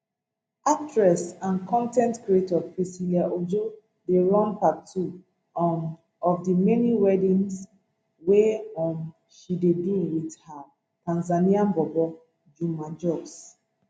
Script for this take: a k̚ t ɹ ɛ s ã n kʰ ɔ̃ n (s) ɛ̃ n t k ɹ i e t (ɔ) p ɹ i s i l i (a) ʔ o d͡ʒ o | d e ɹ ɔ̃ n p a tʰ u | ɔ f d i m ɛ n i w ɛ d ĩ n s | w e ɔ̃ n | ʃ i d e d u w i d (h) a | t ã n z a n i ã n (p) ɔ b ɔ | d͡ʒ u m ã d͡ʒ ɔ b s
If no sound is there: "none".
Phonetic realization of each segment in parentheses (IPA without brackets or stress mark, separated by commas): t, ɔ, a, h, b